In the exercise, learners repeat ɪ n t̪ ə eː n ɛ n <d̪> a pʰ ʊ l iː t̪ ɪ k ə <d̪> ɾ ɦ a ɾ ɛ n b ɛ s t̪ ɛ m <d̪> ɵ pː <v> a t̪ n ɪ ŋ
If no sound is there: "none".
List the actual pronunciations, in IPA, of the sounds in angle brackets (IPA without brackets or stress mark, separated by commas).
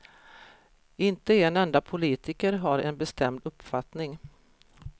d̪, none, d̪, f